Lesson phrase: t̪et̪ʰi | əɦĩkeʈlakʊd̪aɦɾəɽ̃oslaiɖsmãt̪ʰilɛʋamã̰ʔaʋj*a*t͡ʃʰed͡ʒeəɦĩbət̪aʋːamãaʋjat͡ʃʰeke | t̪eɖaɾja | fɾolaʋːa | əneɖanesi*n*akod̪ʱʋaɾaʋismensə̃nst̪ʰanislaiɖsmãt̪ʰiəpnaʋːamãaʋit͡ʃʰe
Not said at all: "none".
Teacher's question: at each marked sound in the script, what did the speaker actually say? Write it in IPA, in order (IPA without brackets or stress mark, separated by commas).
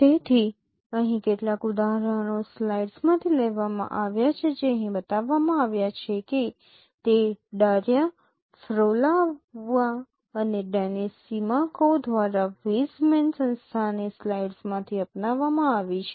a, m